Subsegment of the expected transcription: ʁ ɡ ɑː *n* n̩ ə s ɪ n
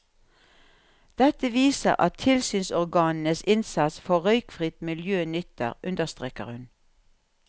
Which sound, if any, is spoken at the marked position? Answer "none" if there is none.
n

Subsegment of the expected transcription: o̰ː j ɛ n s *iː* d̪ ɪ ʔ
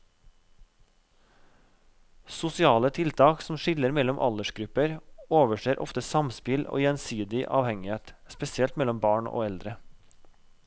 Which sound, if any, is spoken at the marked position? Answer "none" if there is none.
yː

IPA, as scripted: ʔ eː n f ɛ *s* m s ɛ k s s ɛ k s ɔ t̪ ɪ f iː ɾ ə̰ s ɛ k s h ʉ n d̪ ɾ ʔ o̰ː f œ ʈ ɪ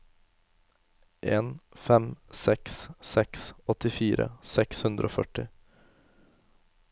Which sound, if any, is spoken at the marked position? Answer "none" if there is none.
none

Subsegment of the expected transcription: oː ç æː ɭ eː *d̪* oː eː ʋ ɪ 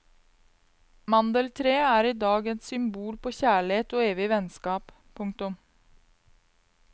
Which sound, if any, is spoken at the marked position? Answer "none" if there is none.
t̪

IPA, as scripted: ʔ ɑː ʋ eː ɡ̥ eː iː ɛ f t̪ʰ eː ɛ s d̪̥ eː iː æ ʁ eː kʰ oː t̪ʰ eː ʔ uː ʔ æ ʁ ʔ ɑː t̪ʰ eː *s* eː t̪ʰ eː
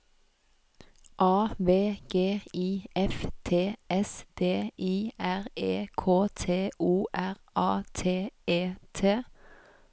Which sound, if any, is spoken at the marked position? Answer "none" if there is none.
none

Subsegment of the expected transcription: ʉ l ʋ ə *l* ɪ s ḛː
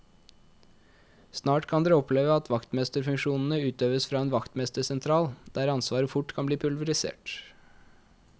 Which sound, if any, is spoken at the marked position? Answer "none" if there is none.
ɾ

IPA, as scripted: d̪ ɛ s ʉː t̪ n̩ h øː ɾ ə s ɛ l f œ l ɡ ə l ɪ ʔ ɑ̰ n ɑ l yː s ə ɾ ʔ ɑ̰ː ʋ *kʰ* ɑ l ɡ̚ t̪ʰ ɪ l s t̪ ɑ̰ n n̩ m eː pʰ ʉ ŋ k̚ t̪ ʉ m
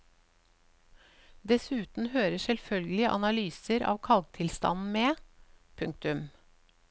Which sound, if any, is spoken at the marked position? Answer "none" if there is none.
kʰ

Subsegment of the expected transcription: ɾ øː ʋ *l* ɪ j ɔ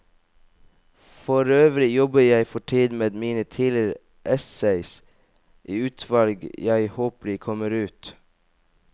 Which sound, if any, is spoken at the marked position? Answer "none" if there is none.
ɾ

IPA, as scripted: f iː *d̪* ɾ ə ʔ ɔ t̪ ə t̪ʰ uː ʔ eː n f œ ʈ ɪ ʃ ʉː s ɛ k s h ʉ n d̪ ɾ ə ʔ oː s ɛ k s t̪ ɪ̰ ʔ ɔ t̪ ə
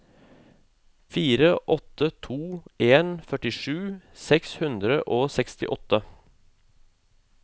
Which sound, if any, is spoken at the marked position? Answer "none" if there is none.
none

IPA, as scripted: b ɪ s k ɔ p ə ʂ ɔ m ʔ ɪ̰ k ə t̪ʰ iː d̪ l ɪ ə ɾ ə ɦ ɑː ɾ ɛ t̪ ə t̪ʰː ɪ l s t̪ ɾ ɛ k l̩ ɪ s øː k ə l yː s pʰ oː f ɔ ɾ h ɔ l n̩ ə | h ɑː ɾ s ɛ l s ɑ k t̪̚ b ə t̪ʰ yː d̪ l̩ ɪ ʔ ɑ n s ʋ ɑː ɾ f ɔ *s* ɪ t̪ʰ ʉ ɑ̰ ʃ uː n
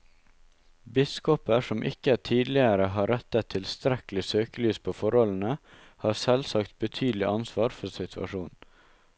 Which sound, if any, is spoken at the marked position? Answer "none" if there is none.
s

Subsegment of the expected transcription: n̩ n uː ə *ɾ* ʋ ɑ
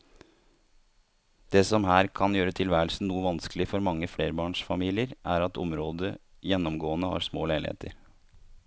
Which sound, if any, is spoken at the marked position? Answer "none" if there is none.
none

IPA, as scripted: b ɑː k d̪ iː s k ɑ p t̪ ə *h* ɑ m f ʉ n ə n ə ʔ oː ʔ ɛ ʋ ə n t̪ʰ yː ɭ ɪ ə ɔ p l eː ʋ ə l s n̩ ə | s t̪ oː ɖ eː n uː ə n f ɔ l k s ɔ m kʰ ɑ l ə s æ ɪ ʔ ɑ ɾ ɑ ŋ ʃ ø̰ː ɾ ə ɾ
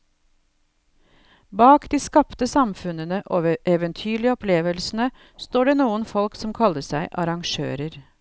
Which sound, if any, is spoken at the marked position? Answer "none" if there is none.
s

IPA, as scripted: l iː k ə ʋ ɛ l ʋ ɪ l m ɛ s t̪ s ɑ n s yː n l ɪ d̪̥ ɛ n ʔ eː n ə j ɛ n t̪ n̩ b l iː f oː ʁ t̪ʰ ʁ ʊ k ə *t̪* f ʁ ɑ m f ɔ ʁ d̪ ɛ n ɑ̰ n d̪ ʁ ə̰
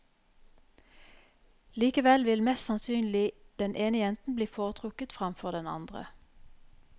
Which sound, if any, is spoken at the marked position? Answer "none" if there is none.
t̪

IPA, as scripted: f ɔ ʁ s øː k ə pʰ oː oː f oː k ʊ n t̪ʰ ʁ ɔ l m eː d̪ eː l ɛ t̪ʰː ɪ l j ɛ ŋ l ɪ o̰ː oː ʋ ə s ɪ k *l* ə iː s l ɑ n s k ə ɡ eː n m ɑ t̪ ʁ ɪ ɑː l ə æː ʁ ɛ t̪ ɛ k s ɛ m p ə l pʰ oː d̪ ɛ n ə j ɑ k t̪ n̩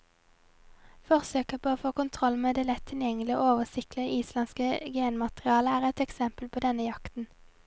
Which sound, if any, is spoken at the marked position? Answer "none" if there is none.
l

